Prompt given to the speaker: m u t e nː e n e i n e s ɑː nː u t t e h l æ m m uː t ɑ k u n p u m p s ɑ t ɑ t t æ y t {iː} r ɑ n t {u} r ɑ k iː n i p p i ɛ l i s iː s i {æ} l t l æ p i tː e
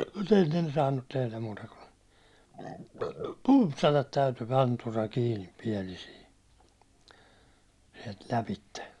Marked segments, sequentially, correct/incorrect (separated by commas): incorrect, correct, incorrect